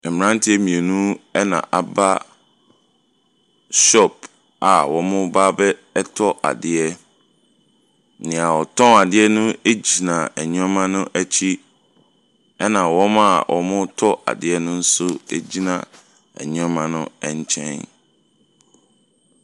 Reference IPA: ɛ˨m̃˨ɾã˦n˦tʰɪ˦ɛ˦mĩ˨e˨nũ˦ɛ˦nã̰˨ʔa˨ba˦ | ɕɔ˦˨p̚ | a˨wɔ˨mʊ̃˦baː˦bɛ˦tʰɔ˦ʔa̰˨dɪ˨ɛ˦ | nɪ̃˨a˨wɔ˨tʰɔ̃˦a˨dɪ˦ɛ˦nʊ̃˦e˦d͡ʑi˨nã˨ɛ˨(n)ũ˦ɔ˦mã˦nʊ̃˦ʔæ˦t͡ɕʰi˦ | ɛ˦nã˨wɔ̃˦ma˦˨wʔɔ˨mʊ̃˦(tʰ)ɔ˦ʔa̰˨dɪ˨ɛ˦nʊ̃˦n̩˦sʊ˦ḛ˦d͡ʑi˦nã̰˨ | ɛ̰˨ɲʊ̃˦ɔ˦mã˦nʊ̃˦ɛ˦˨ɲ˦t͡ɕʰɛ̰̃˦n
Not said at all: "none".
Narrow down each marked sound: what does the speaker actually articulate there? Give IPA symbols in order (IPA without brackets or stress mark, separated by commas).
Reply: ɲ, tʰ